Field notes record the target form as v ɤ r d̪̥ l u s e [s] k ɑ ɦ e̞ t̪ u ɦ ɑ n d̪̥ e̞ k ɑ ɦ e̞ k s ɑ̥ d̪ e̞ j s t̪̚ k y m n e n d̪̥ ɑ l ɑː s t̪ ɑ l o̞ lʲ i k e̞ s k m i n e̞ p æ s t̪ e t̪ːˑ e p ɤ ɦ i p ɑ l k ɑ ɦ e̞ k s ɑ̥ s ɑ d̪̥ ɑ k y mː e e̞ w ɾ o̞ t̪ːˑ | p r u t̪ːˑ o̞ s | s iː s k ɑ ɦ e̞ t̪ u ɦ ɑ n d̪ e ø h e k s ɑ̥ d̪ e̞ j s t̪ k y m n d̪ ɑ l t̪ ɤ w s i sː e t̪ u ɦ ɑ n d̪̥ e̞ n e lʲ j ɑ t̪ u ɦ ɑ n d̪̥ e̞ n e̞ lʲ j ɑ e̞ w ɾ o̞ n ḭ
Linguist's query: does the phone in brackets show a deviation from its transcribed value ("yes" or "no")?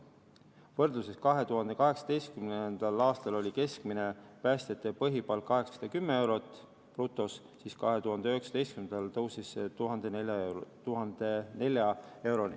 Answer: no